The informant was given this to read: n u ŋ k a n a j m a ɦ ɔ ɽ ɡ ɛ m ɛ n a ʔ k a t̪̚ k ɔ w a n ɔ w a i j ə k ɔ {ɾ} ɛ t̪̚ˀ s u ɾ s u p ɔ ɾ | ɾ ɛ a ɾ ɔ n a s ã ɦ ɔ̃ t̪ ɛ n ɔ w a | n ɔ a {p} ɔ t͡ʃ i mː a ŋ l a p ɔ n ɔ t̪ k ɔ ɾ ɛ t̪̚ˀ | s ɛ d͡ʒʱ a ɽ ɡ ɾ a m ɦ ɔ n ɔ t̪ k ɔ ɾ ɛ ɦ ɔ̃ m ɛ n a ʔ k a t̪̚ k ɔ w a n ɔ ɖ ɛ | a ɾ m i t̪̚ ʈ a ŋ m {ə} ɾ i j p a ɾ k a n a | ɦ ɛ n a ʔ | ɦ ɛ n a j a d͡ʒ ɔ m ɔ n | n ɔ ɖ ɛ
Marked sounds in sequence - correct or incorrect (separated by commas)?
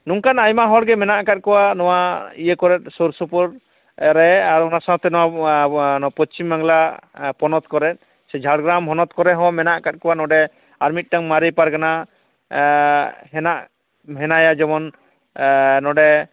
correct, correct, incorrect